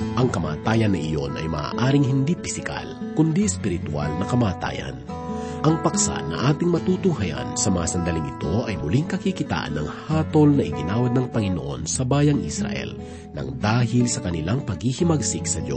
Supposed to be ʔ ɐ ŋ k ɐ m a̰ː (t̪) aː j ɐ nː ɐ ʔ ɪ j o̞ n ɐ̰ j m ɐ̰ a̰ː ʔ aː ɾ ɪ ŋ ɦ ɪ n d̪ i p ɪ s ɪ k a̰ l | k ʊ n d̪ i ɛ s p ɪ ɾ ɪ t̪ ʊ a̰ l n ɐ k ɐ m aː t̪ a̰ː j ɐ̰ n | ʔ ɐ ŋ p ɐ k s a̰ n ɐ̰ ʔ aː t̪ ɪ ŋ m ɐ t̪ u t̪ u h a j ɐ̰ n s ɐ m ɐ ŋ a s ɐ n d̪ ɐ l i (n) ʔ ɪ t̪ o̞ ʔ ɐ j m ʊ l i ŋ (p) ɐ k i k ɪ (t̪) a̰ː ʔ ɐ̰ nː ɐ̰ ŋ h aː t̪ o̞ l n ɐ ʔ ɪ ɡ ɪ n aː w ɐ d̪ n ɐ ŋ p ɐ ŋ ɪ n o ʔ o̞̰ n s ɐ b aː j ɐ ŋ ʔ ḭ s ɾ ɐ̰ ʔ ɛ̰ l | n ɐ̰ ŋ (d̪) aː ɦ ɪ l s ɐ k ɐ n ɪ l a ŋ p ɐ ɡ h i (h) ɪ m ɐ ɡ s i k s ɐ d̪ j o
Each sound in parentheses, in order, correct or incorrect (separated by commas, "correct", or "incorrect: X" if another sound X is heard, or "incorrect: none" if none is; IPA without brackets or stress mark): correct, incorrect: ŋ, incorrect: k, correct, correct, correct